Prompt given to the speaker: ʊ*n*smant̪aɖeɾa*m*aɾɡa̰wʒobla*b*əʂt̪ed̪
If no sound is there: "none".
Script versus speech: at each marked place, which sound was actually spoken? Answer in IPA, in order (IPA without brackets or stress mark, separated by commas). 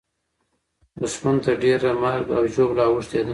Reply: none, m, w